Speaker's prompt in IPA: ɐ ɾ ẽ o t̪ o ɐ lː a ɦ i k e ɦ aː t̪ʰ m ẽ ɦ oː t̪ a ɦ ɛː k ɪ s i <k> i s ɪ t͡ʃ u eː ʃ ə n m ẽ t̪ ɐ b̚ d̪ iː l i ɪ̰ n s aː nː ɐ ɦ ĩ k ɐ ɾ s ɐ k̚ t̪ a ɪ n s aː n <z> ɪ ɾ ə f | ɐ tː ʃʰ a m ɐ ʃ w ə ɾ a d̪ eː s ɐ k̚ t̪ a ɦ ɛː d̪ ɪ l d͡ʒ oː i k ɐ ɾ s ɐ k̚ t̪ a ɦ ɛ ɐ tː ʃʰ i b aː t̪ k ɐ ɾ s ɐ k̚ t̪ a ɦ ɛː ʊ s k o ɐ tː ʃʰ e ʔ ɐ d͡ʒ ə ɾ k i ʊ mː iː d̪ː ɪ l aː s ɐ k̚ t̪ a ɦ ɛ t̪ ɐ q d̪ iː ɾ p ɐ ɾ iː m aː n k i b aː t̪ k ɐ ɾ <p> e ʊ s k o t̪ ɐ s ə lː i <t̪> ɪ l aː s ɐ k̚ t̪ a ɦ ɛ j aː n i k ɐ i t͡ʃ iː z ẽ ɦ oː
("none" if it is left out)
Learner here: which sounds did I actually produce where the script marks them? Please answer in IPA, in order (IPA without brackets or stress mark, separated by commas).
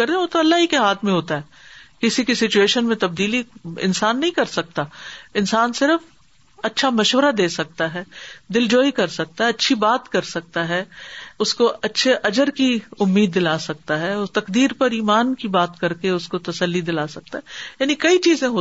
k, s, k, d̪